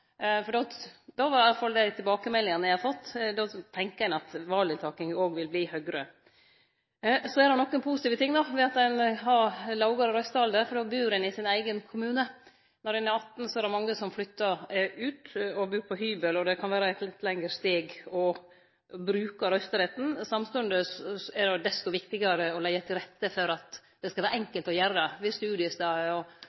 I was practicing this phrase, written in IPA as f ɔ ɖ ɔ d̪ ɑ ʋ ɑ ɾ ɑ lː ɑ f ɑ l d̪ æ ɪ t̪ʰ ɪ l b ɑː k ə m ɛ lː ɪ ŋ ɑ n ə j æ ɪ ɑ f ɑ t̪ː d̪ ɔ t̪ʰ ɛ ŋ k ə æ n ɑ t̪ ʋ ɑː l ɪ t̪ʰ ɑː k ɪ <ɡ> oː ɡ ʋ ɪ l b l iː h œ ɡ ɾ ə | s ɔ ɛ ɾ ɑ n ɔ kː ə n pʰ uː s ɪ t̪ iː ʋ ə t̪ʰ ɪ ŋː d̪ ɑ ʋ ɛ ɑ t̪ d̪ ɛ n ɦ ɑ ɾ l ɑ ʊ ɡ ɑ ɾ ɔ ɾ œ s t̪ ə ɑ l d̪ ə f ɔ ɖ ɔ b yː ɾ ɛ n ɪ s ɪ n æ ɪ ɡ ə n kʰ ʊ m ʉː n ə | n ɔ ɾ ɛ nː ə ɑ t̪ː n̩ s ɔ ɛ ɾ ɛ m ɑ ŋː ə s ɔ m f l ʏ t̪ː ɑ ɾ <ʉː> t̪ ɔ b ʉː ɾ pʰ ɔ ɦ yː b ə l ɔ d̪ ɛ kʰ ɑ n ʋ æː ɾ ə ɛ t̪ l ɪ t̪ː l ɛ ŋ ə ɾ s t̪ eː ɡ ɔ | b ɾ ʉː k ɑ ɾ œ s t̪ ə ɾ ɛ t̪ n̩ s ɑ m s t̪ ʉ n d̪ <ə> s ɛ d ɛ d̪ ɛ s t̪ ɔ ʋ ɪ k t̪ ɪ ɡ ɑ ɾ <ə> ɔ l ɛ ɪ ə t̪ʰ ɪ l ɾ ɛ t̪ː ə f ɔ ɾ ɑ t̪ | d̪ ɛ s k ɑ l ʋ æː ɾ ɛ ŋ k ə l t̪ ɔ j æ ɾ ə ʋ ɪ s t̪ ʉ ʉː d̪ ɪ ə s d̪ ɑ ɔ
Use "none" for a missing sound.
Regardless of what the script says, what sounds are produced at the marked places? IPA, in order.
ŋ, ʉː, ə, ə

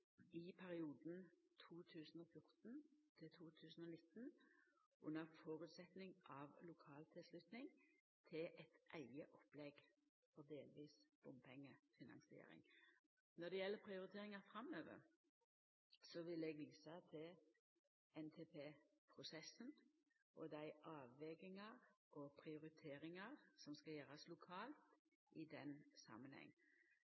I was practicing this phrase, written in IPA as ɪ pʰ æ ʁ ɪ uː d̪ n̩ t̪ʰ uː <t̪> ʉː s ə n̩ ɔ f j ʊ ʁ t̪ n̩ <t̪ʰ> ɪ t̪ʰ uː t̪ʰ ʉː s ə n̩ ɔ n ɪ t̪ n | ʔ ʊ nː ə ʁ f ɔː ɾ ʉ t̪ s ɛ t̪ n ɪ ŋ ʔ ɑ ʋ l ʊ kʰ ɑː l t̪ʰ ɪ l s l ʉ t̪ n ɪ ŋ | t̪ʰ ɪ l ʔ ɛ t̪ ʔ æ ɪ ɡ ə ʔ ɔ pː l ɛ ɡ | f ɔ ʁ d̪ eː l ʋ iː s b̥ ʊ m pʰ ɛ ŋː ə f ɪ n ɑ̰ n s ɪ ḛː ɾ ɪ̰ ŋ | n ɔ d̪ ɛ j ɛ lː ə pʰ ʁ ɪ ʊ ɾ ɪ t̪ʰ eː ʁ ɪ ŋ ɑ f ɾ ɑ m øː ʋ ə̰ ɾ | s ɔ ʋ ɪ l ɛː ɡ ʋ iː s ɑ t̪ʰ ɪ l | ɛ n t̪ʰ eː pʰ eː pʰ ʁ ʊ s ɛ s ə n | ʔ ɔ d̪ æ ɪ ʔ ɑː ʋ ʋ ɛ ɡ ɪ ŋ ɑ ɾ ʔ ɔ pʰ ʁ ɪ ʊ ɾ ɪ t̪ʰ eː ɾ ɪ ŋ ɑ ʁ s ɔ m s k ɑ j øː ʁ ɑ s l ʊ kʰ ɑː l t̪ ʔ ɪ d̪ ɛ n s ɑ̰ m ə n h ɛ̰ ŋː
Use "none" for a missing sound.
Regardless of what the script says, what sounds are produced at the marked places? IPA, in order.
t̪ʰ, t̪ʰ

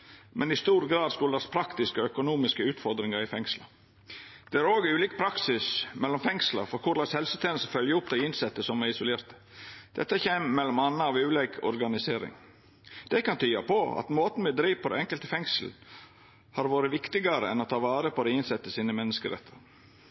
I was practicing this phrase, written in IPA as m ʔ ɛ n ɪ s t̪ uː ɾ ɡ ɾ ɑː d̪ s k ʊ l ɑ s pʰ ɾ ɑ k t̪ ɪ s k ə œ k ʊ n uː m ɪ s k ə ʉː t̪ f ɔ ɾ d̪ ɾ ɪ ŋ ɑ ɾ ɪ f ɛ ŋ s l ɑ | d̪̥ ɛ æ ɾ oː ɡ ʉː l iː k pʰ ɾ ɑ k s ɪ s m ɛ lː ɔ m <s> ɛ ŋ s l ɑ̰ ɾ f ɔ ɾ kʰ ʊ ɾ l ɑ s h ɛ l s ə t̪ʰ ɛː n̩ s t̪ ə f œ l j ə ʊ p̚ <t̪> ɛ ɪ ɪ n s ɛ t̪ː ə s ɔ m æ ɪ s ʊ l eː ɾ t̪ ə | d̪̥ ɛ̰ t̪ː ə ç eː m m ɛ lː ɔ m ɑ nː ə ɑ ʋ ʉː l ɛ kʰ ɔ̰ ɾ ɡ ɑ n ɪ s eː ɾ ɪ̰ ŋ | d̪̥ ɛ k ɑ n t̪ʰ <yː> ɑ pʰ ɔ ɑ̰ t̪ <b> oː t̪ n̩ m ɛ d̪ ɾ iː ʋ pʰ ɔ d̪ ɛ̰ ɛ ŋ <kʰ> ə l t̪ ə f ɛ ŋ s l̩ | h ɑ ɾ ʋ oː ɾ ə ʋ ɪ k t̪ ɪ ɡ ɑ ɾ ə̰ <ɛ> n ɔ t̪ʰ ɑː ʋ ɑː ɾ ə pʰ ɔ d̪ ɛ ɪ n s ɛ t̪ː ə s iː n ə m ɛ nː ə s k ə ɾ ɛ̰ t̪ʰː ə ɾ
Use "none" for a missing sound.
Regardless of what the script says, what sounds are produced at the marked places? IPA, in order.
f, d̪, yː, m, k, ɛ

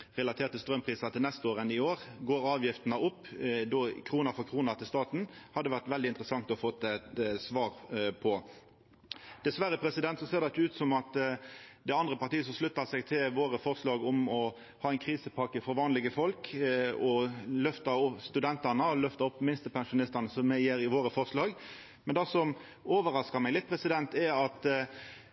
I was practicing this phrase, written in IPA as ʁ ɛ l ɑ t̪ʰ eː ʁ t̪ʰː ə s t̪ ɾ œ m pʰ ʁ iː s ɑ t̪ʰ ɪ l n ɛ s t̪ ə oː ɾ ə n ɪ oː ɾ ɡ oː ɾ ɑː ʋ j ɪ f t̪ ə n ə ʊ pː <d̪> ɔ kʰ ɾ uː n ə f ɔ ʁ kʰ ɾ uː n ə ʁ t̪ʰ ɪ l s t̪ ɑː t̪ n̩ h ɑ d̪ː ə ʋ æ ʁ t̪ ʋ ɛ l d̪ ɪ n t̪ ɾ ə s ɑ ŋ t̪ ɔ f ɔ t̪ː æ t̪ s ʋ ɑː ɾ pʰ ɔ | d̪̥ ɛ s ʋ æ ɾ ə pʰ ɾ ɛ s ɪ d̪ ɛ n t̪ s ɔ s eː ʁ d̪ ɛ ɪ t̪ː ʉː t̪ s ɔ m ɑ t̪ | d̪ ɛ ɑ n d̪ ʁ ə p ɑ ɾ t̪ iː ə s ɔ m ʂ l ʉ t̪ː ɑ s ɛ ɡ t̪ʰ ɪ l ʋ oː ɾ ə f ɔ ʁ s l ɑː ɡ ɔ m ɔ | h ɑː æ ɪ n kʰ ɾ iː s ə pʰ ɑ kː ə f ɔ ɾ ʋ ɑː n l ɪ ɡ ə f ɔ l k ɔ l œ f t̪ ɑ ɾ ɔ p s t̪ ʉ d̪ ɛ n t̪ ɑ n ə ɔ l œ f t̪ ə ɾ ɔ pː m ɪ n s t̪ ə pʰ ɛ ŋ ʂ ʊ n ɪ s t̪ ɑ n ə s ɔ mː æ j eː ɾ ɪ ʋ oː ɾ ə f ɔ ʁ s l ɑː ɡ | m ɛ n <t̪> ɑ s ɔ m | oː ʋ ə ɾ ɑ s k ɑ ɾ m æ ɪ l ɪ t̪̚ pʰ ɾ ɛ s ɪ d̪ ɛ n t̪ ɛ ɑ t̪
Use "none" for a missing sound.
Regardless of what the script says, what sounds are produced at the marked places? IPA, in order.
d̪, d̪

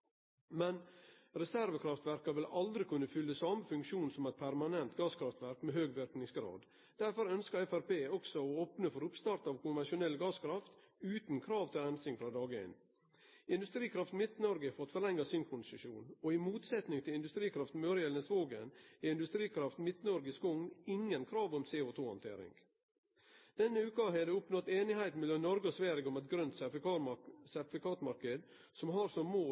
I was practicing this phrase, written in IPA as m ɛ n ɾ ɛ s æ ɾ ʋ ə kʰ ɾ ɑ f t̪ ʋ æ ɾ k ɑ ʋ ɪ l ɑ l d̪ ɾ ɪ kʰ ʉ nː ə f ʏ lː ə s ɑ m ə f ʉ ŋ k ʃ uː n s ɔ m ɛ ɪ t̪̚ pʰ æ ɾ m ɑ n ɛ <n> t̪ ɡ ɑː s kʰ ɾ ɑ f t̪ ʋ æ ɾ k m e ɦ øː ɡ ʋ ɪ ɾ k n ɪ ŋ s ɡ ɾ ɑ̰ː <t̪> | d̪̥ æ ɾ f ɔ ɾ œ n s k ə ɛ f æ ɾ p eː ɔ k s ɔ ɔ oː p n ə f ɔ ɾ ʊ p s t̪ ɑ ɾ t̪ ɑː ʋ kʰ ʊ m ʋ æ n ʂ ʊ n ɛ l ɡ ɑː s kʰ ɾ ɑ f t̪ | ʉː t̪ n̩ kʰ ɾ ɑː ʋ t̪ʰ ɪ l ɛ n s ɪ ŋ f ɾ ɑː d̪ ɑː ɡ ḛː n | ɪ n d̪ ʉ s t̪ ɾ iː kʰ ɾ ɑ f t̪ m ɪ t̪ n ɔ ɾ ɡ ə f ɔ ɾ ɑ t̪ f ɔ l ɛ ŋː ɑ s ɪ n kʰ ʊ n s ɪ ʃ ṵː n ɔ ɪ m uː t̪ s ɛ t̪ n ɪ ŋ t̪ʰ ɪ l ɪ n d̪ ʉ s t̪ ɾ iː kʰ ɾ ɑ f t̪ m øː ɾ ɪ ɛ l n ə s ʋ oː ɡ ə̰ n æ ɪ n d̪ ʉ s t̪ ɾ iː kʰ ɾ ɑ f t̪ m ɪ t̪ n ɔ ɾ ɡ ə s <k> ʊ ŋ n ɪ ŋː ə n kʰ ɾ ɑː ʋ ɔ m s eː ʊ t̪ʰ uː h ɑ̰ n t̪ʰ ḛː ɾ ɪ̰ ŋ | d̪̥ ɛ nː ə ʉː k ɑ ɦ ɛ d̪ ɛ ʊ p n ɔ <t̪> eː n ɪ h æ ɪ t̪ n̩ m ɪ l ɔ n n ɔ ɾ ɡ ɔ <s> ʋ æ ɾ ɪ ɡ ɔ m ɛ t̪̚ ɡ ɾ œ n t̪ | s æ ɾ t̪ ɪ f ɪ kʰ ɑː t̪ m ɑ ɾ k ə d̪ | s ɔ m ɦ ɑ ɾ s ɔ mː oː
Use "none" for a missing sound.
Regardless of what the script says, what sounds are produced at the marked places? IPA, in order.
n, d̪, k, t̪, s

